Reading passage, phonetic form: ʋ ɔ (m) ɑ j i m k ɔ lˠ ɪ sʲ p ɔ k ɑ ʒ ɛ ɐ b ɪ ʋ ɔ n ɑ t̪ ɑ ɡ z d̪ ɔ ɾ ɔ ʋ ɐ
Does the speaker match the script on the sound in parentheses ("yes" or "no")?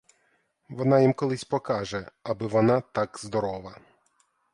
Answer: no